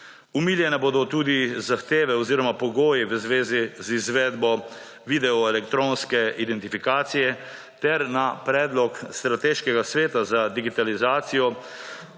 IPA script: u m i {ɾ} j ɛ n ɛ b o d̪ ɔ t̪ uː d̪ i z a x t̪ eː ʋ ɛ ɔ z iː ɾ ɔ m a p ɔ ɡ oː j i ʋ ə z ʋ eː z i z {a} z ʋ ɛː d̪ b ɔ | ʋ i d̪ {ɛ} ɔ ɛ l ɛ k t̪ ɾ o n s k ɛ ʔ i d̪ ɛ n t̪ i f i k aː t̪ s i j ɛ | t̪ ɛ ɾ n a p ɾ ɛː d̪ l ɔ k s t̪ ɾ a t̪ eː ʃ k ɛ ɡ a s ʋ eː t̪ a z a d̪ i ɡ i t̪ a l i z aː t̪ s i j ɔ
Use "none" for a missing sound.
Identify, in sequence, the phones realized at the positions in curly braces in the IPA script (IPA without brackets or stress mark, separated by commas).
l, i, ɛ